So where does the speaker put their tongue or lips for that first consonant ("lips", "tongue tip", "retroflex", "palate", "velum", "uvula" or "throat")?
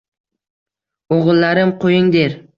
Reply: uvula